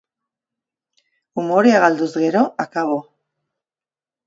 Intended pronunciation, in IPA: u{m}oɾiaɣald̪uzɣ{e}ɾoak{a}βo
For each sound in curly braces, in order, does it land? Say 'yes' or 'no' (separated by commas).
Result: yes, yes, yes